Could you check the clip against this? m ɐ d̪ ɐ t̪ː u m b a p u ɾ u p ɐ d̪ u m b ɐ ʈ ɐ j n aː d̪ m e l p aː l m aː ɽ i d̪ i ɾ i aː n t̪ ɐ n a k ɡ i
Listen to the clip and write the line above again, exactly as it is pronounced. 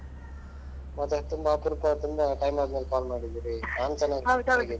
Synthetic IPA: m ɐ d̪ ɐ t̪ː u m b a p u ɾ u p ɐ t̪ u m b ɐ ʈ ɐ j m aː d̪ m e l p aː l m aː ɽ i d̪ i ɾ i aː n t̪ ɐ n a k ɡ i